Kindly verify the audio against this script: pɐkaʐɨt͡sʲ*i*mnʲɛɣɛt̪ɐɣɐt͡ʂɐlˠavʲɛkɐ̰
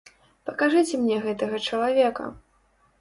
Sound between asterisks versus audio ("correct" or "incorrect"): incorrect